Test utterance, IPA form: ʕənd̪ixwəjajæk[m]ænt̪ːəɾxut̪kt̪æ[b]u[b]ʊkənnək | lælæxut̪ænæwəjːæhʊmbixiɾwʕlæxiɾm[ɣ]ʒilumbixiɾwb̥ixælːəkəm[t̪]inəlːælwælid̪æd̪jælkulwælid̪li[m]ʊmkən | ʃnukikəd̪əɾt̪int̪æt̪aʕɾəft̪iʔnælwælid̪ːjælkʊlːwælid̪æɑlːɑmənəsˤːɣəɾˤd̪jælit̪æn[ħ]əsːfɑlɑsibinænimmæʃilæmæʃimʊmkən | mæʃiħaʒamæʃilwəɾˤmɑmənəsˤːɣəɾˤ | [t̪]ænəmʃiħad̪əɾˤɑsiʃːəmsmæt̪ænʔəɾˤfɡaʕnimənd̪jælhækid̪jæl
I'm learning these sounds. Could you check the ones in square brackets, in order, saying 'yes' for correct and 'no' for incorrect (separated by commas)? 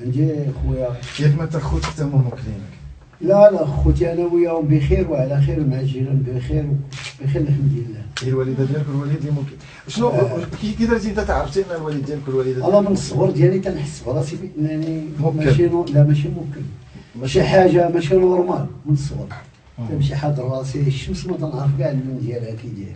yes, no, no, no, no, yes, yes, yes